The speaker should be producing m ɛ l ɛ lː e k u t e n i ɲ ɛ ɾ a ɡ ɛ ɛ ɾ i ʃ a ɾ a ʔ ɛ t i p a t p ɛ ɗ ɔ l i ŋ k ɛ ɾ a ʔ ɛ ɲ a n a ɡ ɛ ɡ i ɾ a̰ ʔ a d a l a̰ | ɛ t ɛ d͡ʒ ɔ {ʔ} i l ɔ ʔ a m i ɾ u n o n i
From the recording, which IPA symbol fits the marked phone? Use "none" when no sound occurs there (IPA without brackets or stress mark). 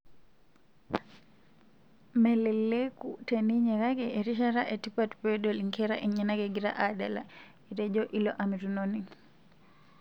ʔ